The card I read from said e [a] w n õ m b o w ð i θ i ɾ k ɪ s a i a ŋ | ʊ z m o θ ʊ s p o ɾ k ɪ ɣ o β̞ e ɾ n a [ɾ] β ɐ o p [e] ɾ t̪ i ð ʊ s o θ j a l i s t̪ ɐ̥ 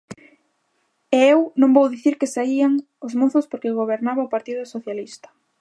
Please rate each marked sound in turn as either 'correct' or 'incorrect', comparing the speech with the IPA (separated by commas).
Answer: incorrect, incorrect, incorrect